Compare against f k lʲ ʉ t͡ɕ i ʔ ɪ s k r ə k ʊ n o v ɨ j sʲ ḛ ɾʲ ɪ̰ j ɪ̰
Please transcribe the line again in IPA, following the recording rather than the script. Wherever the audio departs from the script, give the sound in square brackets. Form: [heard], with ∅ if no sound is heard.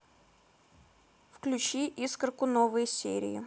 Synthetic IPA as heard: f k lʲ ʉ t͡ɕ i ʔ [i] s k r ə k ʊ n o v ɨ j sʲ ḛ ɾʲ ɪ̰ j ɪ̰